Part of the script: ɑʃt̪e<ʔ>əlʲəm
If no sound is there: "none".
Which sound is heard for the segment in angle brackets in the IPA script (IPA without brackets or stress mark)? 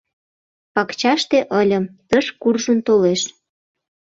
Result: ʔ